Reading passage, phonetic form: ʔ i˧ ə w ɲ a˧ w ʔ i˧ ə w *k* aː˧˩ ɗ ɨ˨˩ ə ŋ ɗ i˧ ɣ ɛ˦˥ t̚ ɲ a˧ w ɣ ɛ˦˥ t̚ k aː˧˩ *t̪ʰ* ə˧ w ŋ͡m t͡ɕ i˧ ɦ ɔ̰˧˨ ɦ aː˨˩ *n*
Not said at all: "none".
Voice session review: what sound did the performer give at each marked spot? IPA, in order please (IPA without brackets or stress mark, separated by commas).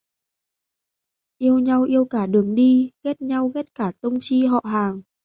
k, t̪, ŋ